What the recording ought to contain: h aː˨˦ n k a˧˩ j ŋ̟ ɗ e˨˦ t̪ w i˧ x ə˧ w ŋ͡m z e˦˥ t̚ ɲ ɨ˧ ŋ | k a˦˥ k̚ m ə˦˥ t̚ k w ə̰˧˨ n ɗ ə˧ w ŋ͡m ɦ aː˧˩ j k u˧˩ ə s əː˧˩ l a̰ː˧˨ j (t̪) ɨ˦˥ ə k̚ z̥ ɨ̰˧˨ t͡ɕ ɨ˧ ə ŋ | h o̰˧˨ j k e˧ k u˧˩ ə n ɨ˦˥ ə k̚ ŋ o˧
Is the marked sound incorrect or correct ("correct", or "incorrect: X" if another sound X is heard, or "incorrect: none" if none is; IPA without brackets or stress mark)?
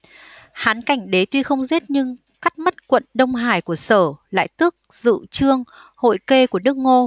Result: correct